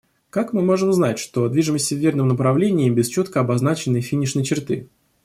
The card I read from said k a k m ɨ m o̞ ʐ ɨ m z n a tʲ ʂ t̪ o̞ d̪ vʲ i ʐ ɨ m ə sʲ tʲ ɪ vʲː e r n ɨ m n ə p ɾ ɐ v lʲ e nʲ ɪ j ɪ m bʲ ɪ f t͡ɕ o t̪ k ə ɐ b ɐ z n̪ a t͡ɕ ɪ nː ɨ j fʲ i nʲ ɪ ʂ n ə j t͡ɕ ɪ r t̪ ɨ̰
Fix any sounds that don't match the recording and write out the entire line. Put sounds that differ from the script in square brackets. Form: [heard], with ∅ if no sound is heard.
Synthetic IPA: k a k m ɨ m o̞ ʐ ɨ m z n a tʲ ʂ t̪ o̞ d̪ vʲ i ʐ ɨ m ə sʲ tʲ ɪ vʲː e r n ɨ m n ə p ɾ ɐ v lʲ e nʲ ɪ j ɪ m bʲ ɪ [s] t͡ɕ o t̪ k ə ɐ b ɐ z n̪ a t͡ɕ ɪ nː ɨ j fʲ i nʲ ɪ ʂ n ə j t͡ɕ ɪ r t̪ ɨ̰